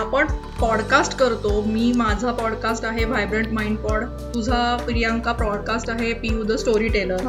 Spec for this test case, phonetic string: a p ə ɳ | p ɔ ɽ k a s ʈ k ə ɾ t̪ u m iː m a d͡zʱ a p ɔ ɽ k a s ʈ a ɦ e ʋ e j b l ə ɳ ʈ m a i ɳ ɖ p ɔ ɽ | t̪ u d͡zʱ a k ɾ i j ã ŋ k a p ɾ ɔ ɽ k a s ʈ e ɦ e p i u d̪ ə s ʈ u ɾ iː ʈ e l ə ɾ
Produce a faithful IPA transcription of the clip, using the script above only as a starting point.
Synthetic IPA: a p ə ɳ | p ɔ ɽ k a s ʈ k ə ɾ t̪ o m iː m a d͡zʱ a p ɔ ɽ k a s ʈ a ɦ e ʋ a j b ɾ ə ɳ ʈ m a i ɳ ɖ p ɔ ɽ | t̪ u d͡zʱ a p ɾ i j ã ŋ k a p ɾ ɔ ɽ k a s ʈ a ɦ e p i u d̪ ə s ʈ o ɾ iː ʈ e l ə ɾ